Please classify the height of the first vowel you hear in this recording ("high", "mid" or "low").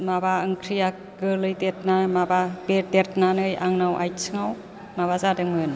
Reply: low